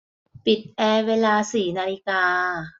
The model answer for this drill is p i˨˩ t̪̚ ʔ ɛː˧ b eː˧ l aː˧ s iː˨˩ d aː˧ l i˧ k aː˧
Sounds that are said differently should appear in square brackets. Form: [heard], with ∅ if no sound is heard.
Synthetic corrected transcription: p i˨˩ t̪̚ ʔ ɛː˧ [w] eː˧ l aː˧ s iː˨˩ [n] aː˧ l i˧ k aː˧